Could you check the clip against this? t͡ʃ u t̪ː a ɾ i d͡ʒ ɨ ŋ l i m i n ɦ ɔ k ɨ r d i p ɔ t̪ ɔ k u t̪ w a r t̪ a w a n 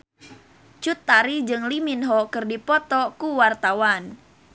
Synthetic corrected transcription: t͡ʃ u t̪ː a ɾ i d͡ʒ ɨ ŋ l i m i n ɦ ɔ k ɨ r d i p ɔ t̪ ɔ k u w a r t̪ a w a n